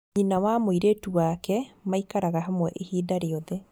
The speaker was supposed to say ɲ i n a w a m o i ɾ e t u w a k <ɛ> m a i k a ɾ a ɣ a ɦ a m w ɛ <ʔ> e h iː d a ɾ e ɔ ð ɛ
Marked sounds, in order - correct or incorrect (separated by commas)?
correct, correct